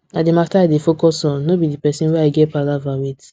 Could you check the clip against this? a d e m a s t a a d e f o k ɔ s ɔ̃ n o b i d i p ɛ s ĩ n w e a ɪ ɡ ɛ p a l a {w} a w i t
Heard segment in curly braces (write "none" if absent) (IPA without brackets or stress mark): v